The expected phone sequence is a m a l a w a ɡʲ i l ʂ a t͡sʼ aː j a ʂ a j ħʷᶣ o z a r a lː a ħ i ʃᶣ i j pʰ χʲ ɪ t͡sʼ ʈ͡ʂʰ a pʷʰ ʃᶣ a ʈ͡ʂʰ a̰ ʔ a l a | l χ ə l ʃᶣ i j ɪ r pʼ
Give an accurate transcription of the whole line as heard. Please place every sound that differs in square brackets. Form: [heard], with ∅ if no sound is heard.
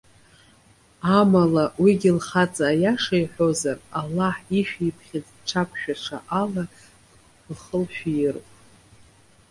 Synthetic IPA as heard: a m a l a w [i] ɡʲ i l [χ] a t͡sʼ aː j a ʂ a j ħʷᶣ o z a r a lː a ħ i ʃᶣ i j pʰ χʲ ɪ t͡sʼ ʈ͡ʂʰ a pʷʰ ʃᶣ a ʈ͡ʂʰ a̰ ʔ a l a | l χ ə l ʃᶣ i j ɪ r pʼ

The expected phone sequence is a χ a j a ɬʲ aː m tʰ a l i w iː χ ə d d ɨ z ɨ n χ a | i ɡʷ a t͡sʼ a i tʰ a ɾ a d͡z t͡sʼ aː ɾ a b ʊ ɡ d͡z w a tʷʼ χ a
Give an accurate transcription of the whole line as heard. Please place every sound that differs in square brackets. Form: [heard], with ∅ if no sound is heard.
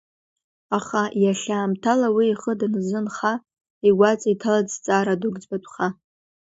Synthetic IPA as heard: a χ a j a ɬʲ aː m tʰ a l [a] w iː χ ə d [n] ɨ z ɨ n χ a | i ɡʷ a t͡sʼ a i tʰ a [l] a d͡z t͡sʼ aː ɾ a [d] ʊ ɡ d͡z [b] a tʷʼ χ a

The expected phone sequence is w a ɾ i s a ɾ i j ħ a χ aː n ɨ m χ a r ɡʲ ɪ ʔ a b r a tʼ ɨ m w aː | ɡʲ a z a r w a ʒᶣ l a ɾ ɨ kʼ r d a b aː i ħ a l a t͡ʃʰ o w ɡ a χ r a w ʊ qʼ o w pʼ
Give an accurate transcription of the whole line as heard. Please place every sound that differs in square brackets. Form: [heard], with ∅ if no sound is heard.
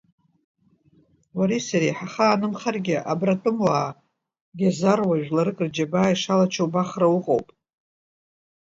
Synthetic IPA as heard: w a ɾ i s a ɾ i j ħ a χ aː n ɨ m χ a r ɡʲ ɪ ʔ a b r a tʼ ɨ m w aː | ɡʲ a z a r w a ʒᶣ l a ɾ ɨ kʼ r [d͡ʒ] a b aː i [ʂ] a l a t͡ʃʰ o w [b] a χ r a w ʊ qʼ o w pʼ

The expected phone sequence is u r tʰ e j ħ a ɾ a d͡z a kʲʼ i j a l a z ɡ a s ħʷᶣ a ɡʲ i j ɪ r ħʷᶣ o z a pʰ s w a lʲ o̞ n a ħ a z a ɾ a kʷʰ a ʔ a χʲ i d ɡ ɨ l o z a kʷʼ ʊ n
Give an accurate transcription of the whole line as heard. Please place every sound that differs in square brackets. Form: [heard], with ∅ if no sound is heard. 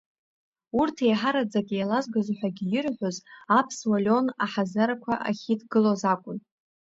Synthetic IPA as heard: u r tʰ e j ħ a ɾ a d͡z a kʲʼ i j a l a z ɡ a [z] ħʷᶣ a ɡʲ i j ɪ r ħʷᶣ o z a pʰ s w a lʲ o̞ n a ħ a z a ɾ a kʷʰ a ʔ a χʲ i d ɡ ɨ l o z a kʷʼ ʊ n

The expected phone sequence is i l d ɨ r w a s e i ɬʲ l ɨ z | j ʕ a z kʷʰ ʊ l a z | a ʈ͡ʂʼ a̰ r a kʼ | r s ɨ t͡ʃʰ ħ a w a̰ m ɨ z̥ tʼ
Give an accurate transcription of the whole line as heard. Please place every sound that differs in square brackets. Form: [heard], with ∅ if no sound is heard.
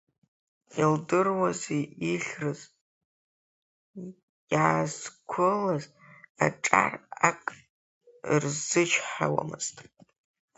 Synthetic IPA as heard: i l d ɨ r w a [z] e i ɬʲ [r] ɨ z | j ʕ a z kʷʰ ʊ l a z | a ʈ͡ʂʼ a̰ r a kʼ | r [z] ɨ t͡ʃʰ ħ a w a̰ m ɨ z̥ tʼ

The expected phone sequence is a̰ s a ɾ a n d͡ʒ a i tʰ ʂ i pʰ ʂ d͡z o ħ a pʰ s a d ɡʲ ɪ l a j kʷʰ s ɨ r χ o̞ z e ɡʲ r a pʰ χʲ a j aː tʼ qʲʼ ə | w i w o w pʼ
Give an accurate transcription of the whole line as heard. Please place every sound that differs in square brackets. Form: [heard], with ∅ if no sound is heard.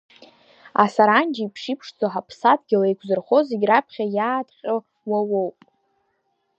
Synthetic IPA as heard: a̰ s a ɾ a n d͡ʒ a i [pʰ] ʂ i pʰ ʂ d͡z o ħ a pʰ s a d ɡʲ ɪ l a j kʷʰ [z] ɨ r χ o̞ z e ɡʲ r a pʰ χʲ a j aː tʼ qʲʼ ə | w [a] w o w pʼ

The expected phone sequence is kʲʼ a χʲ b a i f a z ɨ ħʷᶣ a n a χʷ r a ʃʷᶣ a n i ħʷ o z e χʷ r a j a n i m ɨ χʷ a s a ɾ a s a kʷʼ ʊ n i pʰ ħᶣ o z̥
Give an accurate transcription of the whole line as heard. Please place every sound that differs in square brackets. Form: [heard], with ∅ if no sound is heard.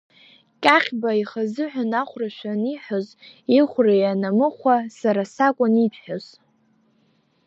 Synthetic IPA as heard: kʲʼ a χʲ b a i [χ] a z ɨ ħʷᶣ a n a χʷ r a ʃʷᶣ a n i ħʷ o z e χʷ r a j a n [a] m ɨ χʷ a s a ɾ a s a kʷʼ ʊ n i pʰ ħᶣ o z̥

